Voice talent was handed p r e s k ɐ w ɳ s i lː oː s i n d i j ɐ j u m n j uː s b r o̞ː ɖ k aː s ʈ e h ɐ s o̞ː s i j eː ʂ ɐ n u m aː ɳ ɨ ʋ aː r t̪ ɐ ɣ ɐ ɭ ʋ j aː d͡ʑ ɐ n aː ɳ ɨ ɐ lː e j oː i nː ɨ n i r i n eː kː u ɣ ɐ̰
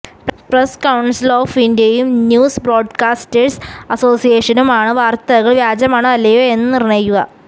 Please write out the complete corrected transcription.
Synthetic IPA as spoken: p r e s k ɐ w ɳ s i l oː f i n d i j ɐ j u m n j uː s b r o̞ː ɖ k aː s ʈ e s ɐ s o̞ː s i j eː ʂ ɐ n u m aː ɳ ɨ ʋ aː r t̪ ɐ ɣ ɐ ɭ ʋ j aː d͡ʑ ɐ m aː ɳ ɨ ɐ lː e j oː e nː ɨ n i r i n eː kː u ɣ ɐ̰